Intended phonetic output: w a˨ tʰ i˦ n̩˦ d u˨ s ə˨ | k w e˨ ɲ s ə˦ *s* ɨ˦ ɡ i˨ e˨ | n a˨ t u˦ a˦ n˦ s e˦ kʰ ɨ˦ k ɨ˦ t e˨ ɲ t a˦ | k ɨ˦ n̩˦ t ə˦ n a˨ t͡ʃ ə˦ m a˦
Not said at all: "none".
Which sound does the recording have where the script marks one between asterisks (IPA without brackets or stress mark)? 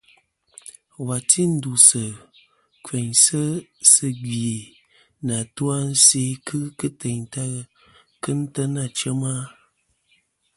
s